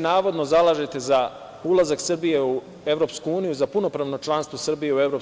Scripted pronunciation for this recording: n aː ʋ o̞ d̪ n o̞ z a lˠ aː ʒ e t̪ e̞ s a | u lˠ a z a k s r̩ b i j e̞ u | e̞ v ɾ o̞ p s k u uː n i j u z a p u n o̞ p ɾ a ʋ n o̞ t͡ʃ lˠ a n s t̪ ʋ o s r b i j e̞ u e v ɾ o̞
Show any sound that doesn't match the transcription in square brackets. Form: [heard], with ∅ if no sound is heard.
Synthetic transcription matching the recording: n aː ʋ o̞ d̪ n o̞ z a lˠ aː ʒ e t̪ e̞ [z] a | u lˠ a z a k s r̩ b i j e̞ u | e̞ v ɾ o̞ p s k u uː n i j u z a p u n o̞ p ɾ a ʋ n o̞ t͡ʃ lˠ a n s t̪ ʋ o s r b i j e̞ u e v ɾ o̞